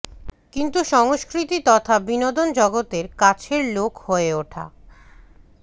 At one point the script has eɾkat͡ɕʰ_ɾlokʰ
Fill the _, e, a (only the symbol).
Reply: e